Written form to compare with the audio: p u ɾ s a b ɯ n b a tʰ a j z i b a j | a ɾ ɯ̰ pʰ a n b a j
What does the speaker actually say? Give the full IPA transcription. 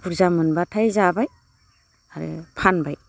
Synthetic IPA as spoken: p u ɾ z a m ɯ n b a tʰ a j z a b a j | a ɾ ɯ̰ pʰ a n b a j